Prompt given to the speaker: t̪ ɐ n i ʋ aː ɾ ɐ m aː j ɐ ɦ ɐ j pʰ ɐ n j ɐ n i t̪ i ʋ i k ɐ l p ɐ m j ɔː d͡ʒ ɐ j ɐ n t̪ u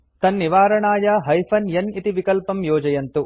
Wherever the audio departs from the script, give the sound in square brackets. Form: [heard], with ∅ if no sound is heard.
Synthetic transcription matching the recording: t̪ ɐ [nː] i ʋ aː ɾ ɐ [ɳ] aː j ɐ ɦ ɐ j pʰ ɐ n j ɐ n i t̪ i ʋ i k ɐ l p ɐ m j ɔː d͡ʒ ɐ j ɐ n t̪ u